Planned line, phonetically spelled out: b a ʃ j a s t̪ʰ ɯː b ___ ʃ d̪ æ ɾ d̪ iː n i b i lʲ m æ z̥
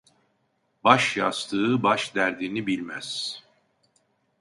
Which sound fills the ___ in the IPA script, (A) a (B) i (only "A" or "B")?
A